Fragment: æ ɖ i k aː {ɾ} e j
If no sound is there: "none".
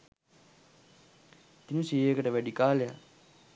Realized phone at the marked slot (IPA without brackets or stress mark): l